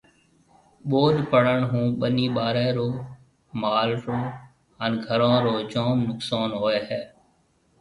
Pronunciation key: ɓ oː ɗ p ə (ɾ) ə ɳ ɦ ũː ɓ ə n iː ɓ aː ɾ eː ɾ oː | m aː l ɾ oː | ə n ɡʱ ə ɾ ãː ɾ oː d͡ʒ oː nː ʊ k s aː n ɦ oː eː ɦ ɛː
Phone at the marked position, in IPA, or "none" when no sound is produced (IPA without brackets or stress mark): ɽ